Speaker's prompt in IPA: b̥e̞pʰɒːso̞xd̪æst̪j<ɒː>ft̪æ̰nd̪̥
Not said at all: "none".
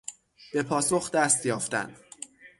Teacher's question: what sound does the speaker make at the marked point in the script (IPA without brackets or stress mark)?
ɒː